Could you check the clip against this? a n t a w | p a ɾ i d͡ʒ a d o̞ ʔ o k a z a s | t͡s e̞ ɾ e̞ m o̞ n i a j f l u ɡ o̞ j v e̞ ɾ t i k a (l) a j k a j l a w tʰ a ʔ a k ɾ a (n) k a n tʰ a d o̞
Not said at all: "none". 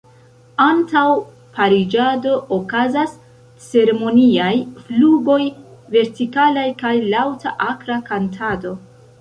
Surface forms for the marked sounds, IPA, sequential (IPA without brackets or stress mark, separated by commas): l, none